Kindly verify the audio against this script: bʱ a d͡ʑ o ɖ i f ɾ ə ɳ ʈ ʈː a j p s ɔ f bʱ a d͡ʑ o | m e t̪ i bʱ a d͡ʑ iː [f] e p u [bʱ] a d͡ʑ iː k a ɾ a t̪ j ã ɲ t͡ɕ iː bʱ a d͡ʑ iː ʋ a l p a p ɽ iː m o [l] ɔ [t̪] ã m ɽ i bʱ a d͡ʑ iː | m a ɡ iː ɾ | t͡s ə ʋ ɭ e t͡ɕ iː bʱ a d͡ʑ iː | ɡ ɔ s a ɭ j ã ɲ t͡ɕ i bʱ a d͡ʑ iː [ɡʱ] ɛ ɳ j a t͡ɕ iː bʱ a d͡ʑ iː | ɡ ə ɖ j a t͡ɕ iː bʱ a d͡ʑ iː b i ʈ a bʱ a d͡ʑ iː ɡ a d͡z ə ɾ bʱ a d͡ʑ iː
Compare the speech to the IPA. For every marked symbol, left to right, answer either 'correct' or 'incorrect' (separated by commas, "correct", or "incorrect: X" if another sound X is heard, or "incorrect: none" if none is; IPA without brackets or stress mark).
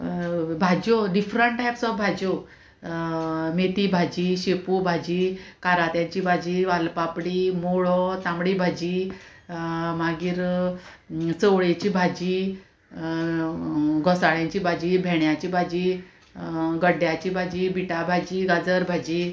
incorrect: ɕ, correct, incorrect: ɭ, correct, incorrect: bʱ